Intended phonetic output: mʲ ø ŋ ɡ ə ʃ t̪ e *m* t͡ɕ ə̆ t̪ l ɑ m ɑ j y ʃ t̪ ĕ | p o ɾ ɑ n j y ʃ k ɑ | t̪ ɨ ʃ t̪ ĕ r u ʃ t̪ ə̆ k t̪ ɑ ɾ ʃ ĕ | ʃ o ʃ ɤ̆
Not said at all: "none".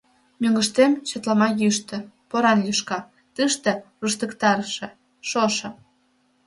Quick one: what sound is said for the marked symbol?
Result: m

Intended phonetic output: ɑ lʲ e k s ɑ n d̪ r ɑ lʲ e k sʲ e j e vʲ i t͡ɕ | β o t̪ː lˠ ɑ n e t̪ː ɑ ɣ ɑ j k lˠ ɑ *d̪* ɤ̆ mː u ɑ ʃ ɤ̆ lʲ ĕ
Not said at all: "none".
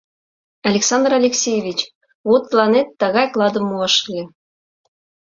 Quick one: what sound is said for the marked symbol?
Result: d̪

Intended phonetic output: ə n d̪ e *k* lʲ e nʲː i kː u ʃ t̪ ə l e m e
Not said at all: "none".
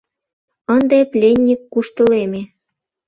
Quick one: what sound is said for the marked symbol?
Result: p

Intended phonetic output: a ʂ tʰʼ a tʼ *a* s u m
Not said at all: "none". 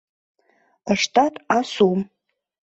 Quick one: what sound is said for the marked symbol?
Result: a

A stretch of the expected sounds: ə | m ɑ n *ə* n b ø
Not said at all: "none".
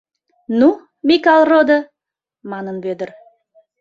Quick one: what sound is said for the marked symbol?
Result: ə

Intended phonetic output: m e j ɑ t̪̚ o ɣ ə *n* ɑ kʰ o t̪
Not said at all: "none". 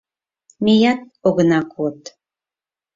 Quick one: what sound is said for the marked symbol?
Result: n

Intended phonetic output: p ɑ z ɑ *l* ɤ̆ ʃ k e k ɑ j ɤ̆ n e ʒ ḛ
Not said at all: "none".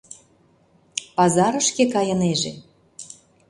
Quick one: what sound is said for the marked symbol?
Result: ɾ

